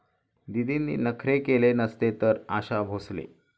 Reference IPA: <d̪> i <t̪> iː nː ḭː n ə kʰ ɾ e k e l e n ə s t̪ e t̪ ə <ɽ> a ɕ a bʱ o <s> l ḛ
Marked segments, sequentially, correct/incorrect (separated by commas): correct, incorrect, incorrect, correct